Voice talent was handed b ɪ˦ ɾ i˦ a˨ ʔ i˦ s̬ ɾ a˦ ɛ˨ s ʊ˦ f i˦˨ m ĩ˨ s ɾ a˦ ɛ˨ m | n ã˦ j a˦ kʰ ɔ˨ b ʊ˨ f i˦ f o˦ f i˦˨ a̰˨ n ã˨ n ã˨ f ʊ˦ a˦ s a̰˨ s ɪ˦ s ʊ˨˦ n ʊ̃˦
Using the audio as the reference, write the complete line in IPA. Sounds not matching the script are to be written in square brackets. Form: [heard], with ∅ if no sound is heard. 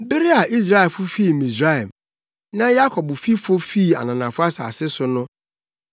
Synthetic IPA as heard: b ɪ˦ ɾ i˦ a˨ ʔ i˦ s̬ ɾ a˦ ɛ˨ [f] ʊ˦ f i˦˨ m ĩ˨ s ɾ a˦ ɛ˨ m | n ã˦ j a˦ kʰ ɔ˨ b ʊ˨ f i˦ f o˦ f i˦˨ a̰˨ n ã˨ n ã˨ f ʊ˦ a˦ s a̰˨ s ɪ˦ s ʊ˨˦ n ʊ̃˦

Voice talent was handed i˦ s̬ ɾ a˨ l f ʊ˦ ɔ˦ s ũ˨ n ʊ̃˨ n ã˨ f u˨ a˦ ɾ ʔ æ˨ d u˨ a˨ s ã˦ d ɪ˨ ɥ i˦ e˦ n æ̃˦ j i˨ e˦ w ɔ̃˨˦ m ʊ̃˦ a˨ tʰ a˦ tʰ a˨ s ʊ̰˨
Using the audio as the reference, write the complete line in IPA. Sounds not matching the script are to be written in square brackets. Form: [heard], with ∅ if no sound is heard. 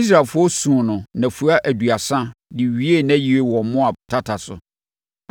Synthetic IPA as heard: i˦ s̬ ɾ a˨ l f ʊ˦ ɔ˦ s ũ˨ n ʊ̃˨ n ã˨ f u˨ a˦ [∅] ʔ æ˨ d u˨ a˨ s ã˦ d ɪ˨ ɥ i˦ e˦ n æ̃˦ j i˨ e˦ w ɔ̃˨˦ m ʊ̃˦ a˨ tʰ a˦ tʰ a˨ s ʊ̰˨

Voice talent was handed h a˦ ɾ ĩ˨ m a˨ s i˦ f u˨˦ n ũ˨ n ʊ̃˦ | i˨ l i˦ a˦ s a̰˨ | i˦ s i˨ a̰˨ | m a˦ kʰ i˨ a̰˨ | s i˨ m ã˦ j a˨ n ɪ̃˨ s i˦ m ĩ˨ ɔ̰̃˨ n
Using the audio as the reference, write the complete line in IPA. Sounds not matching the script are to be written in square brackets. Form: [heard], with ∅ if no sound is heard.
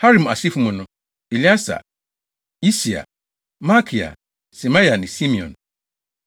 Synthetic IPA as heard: h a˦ ɾ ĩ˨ m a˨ s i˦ f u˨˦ [m] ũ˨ n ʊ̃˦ | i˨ l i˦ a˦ s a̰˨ | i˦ s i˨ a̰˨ | m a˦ kʰ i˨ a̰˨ | s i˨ m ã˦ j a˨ n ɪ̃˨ s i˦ m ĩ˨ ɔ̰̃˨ n

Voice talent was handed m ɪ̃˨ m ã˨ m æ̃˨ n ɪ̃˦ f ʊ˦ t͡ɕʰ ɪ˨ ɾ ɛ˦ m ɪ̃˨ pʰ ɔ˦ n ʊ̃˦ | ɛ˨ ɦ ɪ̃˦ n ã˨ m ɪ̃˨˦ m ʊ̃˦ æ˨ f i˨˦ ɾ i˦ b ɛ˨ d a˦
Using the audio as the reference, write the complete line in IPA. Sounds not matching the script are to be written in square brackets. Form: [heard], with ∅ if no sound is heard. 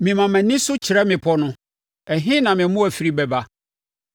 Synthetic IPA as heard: m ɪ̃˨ m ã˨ m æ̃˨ n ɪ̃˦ [s] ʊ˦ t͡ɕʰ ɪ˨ ɾ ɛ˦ m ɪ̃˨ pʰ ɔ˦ n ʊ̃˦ | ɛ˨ ɦ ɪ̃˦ n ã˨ m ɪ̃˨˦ m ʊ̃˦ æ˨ f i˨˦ ɾ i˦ b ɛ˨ [b] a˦

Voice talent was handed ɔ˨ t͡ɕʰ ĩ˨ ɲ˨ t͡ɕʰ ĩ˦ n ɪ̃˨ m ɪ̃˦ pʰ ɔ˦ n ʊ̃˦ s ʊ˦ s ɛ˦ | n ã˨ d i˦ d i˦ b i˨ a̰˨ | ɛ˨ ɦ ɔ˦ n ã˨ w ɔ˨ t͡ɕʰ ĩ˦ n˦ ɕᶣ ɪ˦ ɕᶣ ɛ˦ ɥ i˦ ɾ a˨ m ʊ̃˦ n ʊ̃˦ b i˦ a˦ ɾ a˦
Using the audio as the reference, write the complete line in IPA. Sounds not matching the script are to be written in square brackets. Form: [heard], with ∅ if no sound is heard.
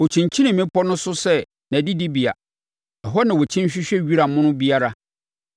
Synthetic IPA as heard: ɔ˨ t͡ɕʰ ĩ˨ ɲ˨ t͡ɕʰ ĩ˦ n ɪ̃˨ m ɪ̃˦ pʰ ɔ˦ n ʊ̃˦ s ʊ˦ s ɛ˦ | n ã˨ d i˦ d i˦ b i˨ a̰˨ | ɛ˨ ɦ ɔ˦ n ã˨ w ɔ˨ t͡ɕʰ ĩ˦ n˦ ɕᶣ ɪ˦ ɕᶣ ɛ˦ ɥ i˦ ɾ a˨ m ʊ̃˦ n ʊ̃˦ b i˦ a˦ ɾ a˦

